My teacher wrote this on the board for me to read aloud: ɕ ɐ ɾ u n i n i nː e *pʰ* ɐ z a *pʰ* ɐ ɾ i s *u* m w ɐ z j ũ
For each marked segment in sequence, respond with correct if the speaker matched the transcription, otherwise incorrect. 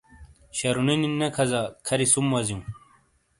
incorrect: kʰ, incorrect: kʰ, correct

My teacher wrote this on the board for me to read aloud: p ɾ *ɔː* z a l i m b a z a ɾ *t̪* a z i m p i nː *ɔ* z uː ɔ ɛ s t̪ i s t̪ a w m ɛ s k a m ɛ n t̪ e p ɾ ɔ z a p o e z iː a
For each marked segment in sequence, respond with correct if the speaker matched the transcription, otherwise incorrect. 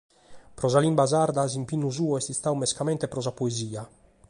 incorrect: ɔ, incorrect: d̪, incorrect: u

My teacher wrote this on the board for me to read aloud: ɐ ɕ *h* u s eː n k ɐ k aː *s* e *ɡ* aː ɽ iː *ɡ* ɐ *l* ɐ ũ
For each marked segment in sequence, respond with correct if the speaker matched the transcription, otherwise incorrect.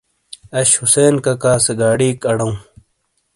correct, correct, correct, incorrect: k, incorrect: ɽ

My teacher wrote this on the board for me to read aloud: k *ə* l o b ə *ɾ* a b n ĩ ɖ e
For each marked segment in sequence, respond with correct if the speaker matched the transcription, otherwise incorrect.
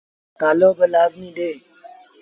incorrect: a, incorrect: l

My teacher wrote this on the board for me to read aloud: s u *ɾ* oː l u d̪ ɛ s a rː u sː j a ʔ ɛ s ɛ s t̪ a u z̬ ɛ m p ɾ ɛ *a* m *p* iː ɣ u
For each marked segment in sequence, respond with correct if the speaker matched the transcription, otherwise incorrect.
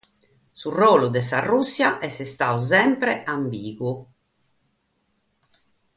incorrect: r, correct, incorrect: b

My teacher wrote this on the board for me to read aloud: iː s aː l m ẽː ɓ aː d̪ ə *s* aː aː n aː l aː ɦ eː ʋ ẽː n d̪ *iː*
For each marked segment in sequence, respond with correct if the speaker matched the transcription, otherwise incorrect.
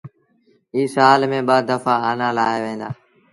incorrect: f, incorrect: aː

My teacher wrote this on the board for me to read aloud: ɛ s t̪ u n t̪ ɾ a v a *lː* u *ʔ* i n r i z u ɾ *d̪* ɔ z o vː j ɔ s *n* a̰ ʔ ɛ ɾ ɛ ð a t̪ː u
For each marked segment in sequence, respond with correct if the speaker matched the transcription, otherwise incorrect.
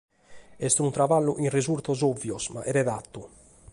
correct, correct, incorrect: t̪, incorrect: m

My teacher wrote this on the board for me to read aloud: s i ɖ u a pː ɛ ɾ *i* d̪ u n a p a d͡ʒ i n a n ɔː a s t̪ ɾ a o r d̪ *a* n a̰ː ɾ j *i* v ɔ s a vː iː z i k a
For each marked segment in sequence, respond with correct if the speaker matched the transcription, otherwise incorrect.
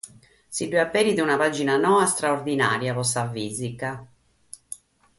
correct, incorrect: i, incorrect: a

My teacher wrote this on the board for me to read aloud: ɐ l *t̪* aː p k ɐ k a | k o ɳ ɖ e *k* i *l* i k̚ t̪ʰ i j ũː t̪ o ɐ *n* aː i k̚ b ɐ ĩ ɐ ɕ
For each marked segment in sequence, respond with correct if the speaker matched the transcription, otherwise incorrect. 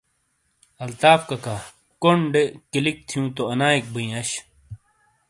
correct, correct, correct, correct

